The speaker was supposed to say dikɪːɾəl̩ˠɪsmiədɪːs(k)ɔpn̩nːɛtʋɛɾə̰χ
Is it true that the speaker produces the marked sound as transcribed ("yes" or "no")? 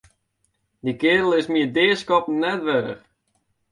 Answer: yes